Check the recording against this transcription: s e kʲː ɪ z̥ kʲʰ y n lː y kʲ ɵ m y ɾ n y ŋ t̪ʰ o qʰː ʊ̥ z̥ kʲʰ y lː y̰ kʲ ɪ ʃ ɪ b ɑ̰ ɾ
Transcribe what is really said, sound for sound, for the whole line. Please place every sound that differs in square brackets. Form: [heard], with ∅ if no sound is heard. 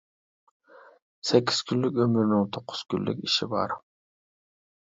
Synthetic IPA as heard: s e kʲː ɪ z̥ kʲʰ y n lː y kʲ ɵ m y ɾ n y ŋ t̪ʰ o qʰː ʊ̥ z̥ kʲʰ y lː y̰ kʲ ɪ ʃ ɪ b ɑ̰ ɾ